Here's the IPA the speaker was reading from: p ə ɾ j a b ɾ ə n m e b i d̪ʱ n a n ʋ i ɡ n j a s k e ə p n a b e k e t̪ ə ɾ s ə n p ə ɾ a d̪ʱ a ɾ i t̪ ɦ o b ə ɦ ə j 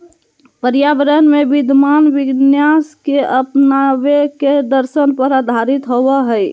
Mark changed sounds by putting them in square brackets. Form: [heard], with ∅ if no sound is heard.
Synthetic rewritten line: p ə ɾ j a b ɾ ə n m e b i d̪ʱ [m] a n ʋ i ɡ n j a s k e ə p n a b e k e [d̪] ə ɾ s ə n p ə ɾ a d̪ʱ a ɾ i t̪ ɦ o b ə ɦ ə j